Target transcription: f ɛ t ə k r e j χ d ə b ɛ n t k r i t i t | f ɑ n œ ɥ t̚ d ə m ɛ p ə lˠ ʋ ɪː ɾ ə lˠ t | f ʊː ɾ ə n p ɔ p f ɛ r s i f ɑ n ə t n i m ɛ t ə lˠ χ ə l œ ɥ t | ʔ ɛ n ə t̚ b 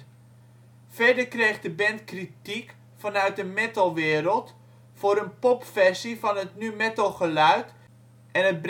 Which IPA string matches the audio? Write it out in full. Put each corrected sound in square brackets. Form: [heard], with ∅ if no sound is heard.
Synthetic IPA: f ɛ [d] ə k r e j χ d ə b ɛ n t k r i t i [k] | f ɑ n œ ɥ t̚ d ə m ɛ [t] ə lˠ ʋ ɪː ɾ ə lˠ t | f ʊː ɾ ə n p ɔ p f ɛ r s i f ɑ n ə t n [y] m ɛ t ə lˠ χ ə l œ ɥ t | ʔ ɛ n ə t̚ b